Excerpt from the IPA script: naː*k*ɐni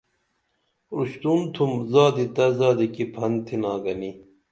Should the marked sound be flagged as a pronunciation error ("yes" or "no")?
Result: yes